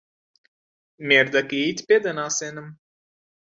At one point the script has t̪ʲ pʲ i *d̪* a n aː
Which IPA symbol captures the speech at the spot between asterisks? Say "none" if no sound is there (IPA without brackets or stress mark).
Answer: d̪